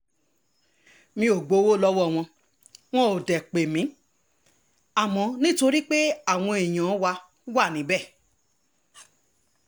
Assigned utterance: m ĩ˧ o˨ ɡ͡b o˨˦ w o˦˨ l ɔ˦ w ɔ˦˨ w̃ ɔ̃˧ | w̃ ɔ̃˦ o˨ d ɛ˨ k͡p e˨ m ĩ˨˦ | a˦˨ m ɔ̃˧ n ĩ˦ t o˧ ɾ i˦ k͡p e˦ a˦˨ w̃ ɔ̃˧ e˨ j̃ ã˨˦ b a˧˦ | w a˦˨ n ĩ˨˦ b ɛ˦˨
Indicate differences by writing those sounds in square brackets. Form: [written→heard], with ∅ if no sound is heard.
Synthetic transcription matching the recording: m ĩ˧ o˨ ɡ͡b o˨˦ w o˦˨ l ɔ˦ w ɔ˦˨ w̃ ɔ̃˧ | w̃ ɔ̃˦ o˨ d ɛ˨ k͡p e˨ m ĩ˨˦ | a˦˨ m ɔ̃˧ n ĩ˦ t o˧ ɾ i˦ k͡p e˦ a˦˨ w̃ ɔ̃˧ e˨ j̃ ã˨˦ [b→w] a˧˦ | w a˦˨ n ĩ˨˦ b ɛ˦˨